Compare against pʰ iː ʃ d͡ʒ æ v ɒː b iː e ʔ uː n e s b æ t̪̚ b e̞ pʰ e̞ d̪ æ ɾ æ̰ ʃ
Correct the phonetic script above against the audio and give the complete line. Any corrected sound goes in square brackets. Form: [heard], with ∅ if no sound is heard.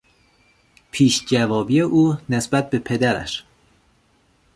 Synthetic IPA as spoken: pʰ iː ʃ d͡ʒ æ v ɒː b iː e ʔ uː n e s b æ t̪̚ b e̞ pʰ e̞ d̪ æ ɾ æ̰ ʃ

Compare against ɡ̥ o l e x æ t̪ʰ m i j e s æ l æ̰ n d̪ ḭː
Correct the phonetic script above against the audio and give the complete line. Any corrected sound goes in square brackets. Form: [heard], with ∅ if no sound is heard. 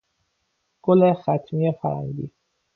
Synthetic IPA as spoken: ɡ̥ o l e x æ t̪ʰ m i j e [f] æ [ɾ] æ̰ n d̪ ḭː

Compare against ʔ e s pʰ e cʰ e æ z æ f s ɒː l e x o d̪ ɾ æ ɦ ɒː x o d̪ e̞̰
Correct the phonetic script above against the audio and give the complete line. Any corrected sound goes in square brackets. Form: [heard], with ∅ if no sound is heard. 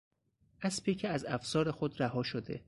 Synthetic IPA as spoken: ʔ [æ] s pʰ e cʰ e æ z æ f s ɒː [ɾ] e x o d̪ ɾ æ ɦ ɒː [ʃ] o d̪ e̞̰

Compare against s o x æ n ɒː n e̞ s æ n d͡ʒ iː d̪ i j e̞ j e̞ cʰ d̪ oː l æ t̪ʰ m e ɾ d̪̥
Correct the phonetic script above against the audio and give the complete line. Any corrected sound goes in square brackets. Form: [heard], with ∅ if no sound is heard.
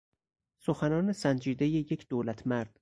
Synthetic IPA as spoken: s o x æ n ɒː n e̞ s æ n d͡ʒ iː d̪ [e] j e̞ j e̞ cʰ d̪ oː l æ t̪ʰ m [æ] ɾ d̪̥

